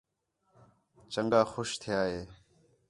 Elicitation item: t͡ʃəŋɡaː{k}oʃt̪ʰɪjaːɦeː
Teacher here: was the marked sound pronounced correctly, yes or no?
no